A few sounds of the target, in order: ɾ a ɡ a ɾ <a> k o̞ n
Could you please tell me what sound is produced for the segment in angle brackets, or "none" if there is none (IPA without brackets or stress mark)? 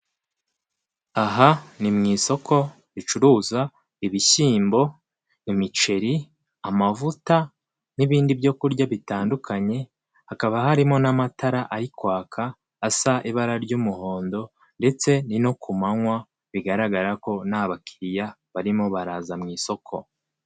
a